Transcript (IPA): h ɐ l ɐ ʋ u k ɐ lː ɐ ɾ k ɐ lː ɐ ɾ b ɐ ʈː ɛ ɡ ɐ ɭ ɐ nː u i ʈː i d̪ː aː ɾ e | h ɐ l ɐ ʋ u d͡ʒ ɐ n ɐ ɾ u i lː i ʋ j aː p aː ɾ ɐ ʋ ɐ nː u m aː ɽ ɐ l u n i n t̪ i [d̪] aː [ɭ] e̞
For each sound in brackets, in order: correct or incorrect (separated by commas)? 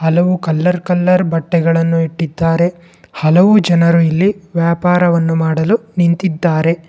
incorrect, incorrect